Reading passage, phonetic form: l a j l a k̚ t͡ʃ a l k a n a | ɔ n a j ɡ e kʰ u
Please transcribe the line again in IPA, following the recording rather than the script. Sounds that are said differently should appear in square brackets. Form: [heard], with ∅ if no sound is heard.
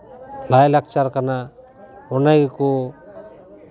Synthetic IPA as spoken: l a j l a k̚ t͡ʃ a [ɾ] k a n a | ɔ n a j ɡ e [k] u